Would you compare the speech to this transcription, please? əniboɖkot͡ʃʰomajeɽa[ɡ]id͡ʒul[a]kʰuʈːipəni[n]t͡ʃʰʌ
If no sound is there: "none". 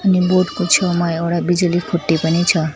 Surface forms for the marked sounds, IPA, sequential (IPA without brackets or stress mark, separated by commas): b, i, none